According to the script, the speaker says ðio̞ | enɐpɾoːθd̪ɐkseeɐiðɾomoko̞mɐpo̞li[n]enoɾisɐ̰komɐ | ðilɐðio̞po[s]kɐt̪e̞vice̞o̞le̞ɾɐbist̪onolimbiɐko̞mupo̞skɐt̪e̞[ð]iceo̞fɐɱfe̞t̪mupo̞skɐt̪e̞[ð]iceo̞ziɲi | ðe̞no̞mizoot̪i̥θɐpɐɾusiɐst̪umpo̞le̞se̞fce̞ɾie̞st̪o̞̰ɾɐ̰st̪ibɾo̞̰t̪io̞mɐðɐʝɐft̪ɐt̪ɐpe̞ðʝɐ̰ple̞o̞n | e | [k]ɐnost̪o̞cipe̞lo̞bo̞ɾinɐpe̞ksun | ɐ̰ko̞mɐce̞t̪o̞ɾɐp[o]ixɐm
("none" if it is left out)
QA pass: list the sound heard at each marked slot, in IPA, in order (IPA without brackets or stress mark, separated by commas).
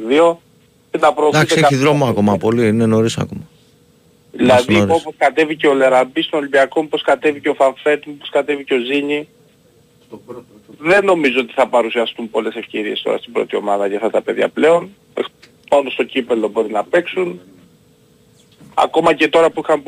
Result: n, s, v, v, p, u